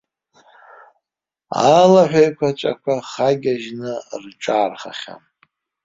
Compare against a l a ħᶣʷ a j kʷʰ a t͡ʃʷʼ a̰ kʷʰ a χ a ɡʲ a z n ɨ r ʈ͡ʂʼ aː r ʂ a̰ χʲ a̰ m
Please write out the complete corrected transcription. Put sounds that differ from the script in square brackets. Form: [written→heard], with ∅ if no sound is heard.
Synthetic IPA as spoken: a l a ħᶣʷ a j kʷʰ a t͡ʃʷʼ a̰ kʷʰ a χ a ɡʲ a [z→ʒ] n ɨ r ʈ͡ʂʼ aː r [ʂ→χ] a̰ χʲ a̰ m